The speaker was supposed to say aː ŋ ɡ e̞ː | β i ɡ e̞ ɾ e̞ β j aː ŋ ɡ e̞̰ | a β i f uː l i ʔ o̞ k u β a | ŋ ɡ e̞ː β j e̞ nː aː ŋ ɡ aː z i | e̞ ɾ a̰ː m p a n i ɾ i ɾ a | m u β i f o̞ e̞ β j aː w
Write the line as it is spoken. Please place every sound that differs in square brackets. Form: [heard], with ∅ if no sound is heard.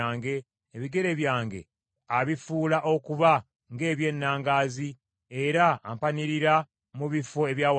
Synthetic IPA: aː ŋ ɡ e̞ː | β i ɡ e̞ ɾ e̞ β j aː ŋ ɡ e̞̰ | a β i f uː l [a] ʔ o̞ k u β a | ŋ ɡ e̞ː β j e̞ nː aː ŋ ɡ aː z i | e̞ ɾ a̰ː m p a n i ɾ i ɾ a | m u β i f o̞ e̞ β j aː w